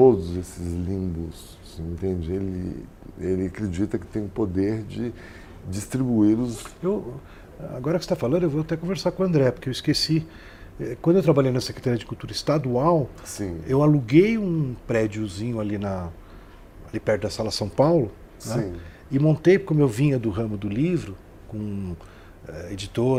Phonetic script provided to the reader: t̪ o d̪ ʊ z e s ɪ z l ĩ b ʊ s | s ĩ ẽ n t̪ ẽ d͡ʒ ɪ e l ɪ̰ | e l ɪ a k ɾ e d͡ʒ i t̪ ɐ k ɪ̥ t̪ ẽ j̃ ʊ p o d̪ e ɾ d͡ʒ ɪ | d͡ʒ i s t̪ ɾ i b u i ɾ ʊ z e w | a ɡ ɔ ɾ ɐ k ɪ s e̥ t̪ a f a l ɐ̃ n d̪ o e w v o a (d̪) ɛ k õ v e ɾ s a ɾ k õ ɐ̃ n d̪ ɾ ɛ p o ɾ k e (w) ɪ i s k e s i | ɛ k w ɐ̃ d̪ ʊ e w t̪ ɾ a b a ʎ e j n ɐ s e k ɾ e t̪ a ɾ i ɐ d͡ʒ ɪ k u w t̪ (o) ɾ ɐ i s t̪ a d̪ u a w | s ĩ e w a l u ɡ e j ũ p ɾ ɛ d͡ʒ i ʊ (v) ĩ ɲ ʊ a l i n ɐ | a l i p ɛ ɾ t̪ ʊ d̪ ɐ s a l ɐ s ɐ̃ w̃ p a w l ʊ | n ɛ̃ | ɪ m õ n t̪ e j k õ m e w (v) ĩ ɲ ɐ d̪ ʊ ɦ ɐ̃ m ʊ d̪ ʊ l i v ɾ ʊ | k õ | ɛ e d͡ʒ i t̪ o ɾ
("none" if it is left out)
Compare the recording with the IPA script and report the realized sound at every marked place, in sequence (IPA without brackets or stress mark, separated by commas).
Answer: t̪, w, u, z, v